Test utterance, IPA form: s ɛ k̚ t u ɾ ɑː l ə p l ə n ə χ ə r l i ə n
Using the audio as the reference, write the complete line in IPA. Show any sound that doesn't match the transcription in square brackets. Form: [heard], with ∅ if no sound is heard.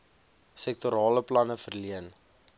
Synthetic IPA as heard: s ɛ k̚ t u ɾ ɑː l ə p l [ɐ] n ə [f] ə r l i ə n